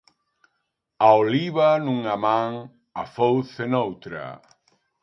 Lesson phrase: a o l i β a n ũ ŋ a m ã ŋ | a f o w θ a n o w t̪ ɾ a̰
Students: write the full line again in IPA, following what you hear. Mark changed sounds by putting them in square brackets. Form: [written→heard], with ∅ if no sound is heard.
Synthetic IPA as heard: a o l i β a n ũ ŋ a m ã ŋ | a f o w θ [a→e] n o w t̪ ɾ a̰